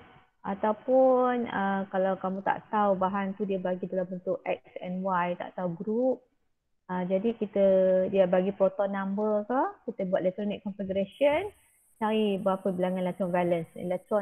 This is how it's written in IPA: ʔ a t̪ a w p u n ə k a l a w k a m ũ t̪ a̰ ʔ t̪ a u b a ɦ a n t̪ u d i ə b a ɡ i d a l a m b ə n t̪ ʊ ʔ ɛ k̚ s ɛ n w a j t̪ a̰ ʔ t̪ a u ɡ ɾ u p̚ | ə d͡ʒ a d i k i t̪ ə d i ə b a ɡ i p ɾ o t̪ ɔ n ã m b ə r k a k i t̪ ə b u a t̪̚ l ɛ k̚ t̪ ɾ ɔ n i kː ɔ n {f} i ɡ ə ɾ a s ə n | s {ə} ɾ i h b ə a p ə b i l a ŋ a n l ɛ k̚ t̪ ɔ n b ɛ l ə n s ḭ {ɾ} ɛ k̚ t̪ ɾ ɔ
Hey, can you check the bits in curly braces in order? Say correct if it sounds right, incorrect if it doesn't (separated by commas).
correct, incorrect, incorrect